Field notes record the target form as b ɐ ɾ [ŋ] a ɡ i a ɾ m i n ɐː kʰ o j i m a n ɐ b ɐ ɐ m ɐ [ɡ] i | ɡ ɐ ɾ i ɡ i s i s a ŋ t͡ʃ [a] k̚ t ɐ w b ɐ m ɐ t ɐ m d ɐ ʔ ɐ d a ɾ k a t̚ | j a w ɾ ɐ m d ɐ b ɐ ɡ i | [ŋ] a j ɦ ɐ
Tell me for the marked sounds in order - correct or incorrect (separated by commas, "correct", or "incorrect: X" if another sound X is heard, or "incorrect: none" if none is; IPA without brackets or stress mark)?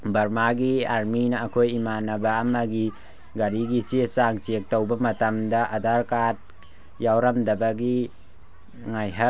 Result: incorrect: m, correct, incorrect: e, correct